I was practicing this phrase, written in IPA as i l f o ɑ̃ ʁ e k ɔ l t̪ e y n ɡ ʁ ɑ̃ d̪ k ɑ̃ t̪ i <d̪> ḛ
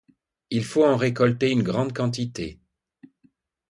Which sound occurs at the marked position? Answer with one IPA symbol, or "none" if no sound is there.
t̪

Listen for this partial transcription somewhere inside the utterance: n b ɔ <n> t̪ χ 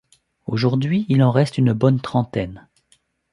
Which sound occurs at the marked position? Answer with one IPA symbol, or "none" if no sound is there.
n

